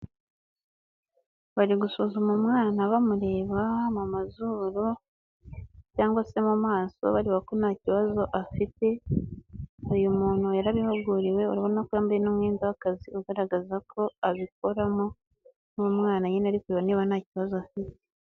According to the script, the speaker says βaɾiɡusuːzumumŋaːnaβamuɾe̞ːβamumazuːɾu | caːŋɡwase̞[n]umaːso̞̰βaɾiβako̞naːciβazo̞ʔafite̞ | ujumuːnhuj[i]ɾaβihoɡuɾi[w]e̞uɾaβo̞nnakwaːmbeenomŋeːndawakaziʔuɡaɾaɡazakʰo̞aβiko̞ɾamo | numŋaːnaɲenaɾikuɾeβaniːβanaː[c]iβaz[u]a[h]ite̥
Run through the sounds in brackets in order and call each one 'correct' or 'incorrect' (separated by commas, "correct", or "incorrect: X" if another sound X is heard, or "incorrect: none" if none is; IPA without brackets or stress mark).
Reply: incorrect: m, incorrect: a, correct, correct, incorrect: o, incorrect: f